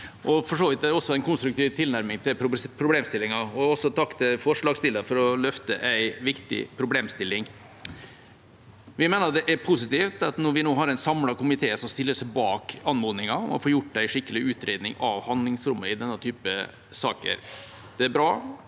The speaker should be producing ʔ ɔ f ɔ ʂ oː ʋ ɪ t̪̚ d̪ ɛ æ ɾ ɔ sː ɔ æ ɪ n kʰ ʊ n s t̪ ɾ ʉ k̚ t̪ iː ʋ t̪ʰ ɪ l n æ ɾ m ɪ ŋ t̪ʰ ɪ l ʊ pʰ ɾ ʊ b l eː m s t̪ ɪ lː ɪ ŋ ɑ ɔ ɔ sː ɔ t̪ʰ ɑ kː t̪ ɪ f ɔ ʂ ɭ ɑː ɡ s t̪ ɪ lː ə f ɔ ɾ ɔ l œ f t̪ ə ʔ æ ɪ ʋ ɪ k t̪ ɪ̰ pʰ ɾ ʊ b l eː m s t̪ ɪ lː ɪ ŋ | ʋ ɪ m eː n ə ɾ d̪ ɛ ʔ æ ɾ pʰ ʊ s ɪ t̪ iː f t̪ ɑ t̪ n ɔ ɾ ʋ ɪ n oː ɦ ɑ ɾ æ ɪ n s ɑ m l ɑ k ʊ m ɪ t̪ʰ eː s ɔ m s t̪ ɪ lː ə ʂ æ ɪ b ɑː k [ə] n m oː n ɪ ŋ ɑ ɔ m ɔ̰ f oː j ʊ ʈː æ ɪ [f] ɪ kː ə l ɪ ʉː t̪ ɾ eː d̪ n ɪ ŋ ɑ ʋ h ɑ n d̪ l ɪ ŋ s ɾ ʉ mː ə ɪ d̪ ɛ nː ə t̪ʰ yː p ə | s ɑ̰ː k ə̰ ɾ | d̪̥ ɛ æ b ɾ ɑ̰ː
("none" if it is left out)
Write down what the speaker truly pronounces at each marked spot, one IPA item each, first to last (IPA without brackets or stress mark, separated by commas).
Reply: ɑ, ʂ